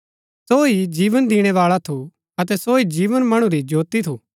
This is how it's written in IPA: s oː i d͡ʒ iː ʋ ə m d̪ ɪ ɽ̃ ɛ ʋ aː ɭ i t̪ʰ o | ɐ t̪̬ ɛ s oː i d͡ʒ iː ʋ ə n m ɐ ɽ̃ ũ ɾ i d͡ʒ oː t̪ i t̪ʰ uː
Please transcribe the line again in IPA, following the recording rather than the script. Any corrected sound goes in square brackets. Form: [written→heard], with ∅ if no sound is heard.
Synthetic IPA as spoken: s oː i d͡ʒ iː ʋ ə [m→n] d̪ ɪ ɽ̃ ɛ ʋ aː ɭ [i→a] t̪ʰ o | ɐ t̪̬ ɛ s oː i d͡ʒ iː ʋ ə n m ɐ ɽ̃ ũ ɾ i d͡ʒ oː t̪ i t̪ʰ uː